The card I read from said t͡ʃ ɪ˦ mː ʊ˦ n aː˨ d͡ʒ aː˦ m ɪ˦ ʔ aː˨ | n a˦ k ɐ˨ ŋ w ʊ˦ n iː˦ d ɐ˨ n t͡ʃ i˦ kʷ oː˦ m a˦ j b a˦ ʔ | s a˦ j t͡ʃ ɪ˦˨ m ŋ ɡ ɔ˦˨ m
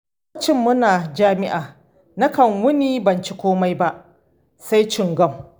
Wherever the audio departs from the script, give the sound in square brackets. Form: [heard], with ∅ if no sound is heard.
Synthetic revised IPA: t͡ʃ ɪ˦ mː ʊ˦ n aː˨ d͡ʒ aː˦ m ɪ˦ ʔ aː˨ | n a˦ k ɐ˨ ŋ w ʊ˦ n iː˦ [b] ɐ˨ n t͡ʃ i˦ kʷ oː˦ m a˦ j b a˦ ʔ | s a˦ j t͡ʃ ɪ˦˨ [∅] ŋ ɡ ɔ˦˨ m